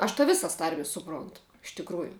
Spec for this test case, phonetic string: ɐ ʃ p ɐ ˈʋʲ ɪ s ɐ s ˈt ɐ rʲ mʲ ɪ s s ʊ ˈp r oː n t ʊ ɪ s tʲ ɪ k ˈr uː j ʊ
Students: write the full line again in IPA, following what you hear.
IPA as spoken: ɐ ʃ t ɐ ˈʋʲ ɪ s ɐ s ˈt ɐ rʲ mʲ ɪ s s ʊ ˈp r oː n t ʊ ɪ ʃ tʲ ɪ k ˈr uː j ʊ